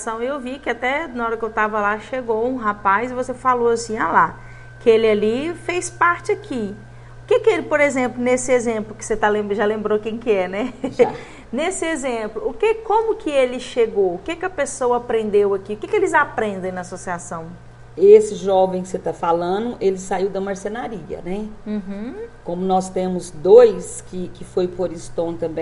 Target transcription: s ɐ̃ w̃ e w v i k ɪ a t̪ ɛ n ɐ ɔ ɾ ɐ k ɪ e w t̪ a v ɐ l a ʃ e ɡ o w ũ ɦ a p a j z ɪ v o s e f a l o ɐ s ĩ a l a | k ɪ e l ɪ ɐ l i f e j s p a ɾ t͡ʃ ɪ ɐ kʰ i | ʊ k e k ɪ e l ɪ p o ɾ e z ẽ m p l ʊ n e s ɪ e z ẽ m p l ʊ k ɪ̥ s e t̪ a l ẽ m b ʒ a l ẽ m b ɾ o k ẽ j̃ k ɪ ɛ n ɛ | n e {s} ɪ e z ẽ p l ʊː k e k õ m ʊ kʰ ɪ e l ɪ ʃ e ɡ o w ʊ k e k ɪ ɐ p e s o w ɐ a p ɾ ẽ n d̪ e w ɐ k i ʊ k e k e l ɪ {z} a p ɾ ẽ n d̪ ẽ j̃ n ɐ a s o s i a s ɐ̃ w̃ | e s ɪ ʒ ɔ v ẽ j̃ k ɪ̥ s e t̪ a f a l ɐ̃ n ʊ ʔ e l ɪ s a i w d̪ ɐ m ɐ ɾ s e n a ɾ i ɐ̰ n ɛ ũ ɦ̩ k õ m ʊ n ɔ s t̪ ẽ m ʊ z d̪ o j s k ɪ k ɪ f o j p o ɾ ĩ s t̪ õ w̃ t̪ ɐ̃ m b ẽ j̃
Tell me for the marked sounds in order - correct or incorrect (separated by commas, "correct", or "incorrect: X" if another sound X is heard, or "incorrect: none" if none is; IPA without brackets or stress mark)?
correct, correct